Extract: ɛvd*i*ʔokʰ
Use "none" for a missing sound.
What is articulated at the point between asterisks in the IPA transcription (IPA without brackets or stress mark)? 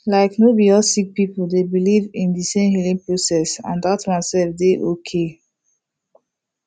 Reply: e